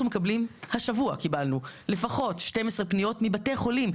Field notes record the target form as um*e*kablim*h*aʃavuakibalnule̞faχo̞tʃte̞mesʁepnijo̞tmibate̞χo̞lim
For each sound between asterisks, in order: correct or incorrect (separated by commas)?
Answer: correct, correct